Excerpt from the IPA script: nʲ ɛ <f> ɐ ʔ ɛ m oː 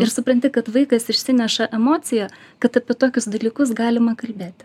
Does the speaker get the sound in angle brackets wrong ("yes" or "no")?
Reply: yes